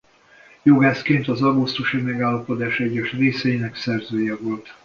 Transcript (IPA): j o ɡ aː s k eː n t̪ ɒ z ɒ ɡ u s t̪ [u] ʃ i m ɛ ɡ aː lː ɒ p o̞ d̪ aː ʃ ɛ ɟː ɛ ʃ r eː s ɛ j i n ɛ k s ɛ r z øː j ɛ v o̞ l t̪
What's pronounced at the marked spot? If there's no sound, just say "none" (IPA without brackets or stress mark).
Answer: u